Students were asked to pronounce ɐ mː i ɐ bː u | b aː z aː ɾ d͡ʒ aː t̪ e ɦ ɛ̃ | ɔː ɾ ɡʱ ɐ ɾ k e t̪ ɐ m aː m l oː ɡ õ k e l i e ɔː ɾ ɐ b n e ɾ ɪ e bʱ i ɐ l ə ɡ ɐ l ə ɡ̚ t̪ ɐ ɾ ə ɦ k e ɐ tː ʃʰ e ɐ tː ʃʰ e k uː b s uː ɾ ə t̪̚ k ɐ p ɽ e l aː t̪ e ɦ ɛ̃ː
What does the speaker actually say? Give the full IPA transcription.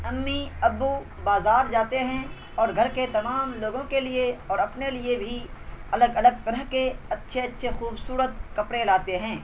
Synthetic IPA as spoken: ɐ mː i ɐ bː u | b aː z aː ɾ d͡ʒ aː t̪ e ɦ ɛ̃ | ɔː ɾ ɡʱ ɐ ɾ k e t̪ ɐ m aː m l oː ɡ õ k e l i e ɔː ɾ ɐ p n e l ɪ e bʱ i ɐ l ə ɡ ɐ l ə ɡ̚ t̪ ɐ ɾ ə ɦ k e ɐ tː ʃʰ e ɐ tː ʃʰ e x uː b s uː ɾ ə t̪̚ k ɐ p ɽ e l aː t̪ e ɦ ɛ̃ː